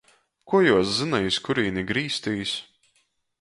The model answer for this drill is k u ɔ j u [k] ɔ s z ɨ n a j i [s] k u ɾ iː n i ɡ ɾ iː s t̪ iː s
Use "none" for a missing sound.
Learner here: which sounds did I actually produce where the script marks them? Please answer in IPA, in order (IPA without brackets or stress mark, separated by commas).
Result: none, s